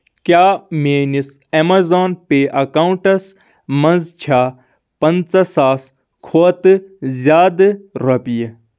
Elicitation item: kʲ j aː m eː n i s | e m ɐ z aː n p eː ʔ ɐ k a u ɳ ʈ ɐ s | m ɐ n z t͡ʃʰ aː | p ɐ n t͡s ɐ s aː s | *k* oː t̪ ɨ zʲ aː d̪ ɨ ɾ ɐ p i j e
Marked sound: incorrect: kʰ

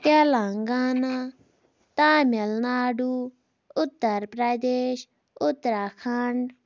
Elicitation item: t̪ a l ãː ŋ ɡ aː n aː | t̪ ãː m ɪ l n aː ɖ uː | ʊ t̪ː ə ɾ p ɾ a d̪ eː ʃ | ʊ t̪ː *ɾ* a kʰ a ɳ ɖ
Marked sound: correct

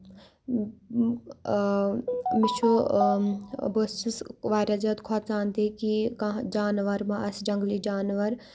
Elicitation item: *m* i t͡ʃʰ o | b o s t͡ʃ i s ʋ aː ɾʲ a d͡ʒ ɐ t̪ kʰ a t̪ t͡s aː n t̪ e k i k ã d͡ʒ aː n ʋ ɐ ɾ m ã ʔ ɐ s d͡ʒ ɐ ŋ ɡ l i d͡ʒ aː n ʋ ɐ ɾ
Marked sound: correct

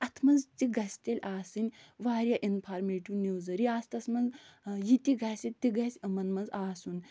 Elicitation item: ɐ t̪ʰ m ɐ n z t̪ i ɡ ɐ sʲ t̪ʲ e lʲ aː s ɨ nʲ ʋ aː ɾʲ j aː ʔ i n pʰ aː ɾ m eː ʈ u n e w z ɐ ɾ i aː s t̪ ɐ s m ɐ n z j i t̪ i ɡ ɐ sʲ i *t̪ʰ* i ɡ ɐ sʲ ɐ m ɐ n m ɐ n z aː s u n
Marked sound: incorrect: t̪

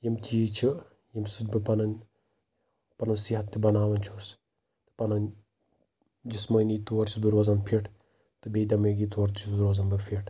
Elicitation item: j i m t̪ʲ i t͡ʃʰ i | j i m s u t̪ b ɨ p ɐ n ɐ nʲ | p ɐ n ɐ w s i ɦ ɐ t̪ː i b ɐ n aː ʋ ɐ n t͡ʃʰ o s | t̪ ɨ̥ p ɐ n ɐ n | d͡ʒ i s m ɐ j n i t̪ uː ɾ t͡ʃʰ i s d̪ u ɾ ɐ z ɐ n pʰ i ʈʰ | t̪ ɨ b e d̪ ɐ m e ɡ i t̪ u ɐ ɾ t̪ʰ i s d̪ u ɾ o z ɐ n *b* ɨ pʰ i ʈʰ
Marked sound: correct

